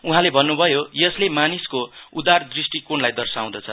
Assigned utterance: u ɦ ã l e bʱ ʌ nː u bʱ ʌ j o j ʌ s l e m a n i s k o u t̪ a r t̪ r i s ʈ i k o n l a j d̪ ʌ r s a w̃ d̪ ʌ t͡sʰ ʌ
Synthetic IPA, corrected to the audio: u ɦ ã l e bʱ ʌ nː u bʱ ʌ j o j ʌ s l e m a n i s k o u d̪ a r d̪ r i s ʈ i k o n l a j d̪ ʌ r s a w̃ d̪ ʌ t͡sʰ ʌ

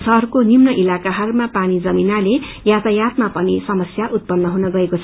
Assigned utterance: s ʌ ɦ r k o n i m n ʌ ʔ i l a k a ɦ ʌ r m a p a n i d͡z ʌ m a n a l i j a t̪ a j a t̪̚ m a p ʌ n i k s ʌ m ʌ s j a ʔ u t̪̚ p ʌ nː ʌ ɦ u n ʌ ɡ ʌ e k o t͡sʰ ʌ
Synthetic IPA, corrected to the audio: s ʌ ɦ r k o n i m n ʌ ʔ i l a k a ɦ ʌ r m a p a n i d͡z ʌ m i n a l e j a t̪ a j a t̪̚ m a p ʌ n i s ʌ m ʌ s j a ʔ u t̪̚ p ʌ nː ʌ ɦ u n ʌ ɡ ʌ e k o t͡sʰ ʌ

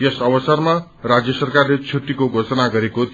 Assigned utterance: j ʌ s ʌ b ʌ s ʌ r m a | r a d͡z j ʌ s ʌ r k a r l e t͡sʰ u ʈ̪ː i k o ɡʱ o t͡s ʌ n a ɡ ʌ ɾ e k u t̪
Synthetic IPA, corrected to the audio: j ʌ s ʌ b ʌ s ʌ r m a | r a d͡z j ʌ s ʌ r k a r l e t͡sʰ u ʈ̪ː i k o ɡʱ o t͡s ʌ n a ɡ ʌ ɾ e k o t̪

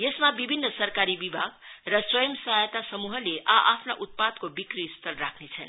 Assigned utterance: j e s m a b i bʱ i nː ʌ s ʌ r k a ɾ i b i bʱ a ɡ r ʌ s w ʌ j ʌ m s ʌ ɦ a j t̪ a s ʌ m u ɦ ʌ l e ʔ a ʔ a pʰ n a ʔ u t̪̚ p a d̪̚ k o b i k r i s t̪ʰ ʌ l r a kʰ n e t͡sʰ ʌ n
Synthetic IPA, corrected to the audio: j e s m a b i bʱ i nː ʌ s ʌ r k a ɾ i b i bʱ a ɡ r ʌ s w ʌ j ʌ m s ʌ ɦ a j t̪ a s ʌ m u ɦ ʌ l e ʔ a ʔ a pʰ n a ʔ u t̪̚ p a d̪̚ k o b i k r i s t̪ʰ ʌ l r a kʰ n e t͡sʰ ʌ n

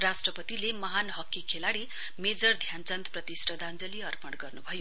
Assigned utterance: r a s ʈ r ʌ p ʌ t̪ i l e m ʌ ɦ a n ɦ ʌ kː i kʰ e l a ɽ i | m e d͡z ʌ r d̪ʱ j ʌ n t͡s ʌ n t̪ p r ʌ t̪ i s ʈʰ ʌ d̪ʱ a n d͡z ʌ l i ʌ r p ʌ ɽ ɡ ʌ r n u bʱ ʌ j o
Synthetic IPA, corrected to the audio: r a s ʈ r ʌ p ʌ t̪ i l e m ʌ ɦ a n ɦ ʌ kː i kʰ e l a ɽ i | m e d͡z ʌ r d̪ʱ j a n t͡s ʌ n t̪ p r ʌ t̪ i s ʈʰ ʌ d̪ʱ a n d͡z ʌ l i ʌ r p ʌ ɽ ɡ ʌ r n u bʱ ʌ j o

